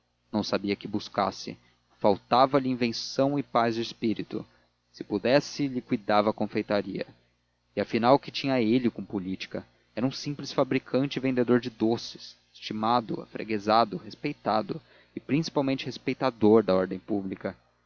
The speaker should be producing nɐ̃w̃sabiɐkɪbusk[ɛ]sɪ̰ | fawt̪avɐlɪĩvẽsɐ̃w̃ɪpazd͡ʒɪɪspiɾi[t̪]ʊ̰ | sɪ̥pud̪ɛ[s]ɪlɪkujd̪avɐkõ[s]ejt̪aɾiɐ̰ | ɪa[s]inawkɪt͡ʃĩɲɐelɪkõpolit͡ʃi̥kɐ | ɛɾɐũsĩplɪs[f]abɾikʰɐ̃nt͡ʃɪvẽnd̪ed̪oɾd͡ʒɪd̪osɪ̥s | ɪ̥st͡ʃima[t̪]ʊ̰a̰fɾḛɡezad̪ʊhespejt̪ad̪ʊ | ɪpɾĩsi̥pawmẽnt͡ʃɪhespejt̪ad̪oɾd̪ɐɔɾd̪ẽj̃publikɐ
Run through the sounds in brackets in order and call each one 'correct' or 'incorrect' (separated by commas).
incorrect, correct, correct, incorrect, incorrect, correct, incorrect